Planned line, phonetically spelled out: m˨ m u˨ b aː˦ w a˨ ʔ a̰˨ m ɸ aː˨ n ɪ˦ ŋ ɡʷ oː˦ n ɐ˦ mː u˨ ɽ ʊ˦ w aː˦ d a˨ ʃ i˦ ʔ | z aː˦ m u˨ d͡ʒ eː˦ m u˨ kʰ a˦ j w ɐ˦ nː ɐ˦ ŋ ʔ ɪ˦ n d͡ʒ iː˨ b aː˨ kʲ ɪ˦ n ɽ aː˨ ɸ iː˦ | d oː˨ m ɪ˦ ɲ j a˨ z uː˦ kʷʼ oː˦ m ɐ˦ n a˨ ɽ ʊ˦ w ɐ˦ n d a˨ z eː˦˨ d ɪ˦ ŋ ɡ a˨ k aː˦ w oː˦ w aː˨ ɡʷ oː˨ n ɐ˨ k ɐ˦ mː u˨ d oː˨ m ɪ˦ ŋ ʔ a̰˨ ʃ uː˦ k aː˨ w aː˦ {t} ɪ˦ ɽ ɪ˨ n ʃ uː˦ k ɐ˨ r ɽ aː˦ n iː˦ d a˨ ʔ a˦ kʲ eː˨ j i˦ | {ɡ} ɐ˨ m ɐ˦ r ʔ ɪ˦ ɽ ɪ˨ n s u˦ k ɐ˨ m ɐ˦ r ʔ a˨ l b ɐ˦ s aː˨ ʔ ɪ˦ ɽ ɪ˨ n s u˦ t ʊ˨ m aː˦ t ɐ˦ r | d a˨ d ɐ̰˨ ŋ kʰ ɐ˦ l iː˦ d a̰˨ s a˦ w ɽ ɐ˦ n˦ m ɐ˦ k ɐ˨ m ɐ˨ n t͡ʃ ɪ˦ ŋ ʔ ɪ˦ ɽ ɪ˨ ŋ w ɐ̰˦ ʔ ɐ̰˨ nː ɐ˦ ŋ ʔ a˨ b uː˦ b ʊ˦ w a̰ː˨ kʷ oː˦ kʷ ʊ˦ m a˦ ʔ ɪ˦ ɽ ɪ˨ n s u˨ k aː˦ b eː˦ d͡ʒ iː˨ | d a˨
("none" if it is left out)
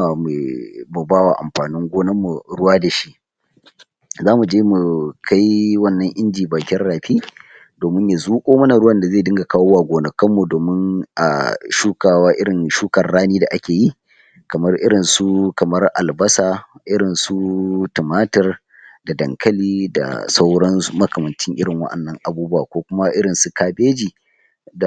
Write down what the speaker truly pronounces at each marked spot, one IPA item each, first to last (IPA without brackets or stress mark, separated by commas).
ʔ, k